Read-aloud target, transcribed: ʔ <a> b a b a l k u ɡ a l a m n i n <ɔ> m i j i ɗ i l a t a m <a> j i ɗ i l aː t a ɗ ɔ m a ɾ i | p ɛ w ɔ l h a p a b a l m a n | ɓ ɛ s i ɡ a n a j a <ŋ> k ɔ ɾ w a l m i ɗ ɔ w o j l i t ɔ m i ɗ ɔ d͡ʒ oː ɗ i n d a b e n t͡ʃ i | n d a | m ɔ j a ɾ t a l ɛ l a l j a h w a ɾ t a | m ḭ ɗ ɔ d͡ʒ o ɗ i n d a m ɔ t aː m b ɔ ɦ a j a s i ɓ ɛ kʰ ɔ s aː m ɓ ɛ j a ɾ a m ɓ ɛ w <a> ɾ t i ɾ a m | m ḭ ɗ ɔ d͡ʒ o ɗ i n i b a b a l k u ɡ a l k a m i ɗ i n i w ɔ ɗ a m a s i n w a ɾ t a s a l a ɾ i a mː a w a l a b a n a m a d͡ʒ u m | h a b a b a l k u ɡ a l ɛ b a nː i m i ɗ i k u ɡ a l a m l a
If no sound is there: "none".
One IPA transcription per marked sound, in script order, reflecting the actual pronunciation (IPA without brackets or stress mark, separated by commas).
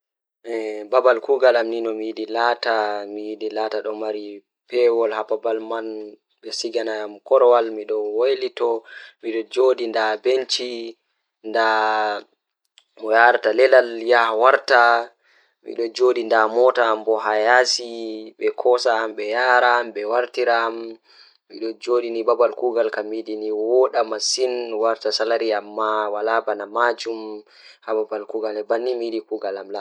ɛ, ɔ, i, m, a